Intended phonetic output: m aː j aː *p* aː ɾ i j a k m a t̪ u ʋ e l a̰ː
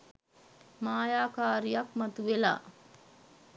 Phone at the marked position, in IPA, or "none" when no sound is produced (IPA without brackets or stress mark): k